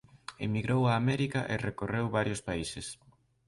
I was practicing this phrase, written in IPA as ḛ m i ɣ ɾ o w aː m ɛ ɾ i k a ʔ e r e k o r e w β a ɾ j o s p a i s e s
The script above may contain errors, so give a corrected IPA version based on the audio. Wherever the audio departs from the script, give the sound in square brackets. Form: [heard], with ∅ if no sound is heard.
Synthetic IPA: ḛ m i ɣ ɾ o w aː m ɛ ɾ i k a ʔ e r e k o r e w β a ɾ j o s p a i s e s